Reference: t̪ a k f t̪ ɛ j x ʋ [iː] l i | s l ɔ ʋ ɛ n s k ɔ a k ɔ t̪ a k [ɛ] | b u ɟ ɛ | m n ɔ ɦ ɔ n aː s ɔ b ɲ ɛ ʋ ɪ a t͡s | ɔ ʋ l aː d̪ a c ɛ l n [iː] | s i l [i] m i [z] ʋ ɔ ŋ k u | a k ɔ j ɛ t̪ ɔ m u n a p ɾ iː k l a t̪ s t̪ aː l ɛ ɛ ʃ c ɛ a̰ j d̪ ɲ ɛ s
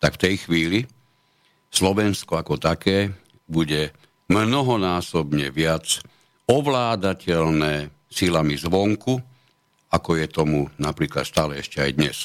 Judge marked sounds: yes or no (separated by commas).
yes, no, no, no, yes